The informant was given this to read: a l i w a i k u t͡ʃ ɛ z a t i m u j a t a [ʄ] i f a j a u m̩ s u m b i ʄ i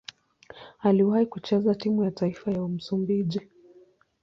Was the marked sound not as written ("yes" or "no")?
yes